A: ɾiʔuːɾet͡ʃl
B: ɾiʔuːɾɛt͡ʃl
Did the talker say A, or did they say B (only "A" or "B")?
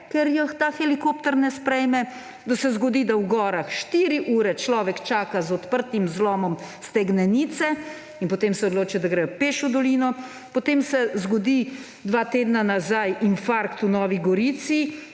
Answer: B